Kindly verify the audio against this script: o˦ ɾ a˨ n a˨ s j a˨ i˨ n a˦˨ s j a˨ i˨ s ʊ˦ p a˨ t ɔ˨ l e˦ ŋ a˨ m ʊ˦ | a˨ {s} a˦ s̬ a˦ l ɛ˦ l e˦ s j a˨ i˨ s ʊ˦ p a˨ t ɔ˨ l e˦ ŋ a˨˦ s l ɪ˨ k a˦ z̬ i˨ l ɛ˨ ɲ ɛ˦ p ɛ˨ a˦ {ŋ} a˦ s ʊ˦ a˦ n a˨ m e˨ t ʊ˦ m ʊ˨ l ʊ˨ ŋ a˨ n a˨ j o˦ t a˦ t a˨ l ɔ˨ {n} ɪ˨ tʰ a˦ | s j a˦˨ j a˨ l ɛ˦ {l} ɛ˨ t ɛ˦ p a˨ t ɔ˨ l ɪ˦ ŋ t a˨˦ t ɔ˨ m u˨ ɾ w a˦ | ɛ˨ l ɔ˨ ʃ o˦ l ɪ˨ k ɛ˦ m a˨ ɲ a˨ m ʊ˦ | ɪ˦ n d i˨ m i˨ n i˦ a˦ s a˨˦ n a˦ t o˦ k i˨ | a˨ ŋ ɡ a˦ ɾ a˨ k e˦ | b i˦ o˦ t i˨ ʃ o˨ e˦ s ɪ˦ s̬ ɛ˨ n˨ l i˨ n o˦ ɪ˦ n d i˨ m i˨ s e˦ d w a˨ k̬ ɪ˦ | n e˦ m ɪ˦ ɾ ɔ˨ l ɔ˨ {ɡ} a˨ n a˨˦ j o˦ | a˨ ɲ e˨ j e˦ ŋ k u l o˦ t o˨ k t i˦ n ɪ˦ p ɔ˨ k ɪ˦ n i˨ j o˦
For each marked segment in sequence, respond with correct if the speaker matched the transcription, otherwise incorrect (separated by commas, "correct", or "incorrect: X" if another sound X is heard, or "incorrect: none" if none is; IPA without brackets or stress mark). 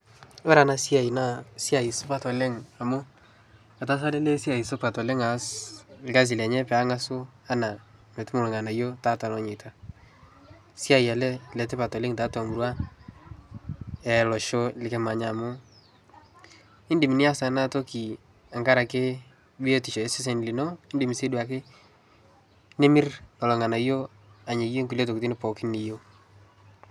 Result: incorrect: t, correct, incorrect: ɲ, correct, incorrect: ŋ